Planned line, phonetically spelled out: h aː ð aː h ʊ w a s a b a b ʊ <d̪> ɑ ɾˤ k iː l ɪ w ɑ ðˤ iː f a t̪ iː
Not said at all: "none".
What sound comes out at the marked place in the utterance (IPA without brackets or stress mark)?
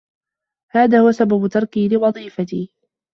t̪